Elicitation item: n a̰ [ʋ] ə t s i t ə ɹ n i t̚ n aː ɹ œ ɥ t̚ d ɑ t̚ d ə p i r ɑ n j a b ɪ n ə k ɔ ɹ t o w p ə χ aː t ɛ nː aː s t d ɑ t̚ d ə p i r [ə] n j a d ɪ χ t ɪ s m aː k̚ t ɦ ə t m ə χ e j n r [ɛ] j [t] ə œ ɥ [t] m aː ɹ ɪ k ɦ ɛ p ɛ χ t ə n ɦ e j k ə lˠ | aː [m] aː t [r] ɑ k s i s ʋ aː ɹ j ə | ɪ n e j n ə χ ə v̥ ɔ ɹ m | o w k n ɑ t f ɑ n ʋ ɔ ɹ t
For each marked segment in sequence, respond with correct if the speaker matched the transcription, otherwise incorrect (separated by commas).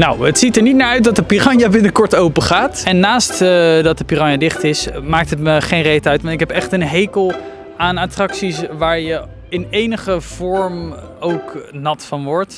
incorrect, incorrect, incorrect, correct, correct, incorrect, correct